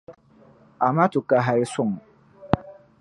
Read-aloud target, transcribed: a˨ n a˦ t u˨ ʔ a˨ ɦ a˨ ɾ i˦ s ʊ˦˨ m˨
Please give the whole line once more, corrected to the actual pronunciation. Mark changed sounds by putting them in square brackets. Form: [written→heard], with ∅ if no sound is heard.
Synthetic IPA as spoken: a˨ [n→m] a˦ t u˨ [ʔ→k] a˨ ɦ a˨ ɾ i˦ s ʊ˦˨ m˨